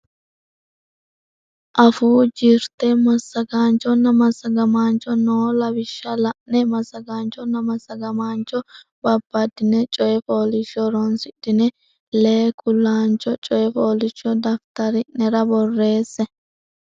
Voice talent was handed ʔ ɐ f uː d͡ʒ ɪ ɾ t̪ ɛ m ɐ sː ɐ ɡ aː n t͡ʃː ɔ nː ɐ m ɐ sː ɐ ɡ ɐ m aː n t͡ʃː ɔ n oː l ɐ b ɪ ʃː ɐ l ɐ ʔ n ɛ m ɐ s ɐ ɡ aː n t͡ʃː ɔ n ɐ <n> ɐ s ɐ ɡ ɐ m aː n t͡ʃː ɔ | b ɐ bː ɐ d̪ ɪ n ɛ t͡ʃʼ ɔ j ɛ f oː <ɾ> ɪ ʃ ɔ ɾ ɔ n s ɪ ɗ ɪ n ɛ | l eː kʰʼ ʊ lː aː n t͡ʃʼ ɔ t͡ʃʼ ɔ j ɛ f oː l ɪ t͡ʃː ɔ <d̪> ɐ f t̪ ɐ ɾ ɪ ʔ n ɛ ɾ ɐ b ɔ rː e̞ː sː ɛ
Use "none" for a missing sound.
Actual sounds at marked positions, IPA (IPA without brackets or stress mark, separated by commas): m, l, d̪